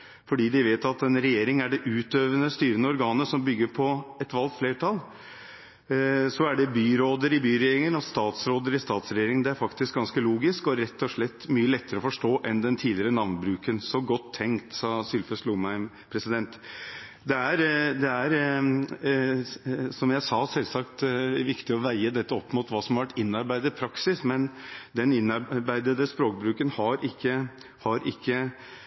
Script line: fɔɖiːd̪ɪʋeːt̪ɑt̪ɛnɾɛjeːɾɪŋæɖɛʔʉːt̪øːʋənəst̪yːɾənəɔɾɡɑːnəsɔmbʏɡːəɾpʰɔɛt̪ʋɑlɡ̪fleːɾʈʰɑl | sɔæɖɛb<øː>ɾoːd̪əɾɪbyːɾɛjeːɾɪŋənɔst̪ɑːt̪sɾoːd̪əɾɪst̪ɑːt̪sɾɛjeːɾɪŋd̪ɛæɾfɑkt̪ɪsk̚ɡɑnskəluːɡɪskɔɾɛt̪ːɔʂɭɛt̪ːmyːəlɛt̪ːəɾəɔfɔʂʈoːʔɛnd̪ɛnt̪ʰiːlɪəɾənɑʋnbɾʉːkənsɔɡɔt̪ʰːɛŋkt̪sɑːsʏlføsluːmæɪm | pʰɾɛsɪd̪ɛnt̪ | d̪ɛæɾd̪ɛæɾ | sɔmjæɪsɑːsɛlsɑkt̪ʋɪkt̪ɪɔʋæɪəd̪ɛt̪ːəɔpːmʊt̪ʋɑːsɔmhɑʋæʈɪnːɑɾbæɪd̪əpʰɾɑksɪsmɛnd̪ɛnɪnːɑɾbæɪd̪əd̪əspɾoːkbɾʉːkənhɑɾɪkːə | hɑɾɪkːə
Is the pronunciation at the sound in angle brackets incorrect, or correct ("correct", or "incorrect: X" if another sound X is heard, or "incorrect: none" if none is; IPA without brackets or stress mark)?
incorrect: yː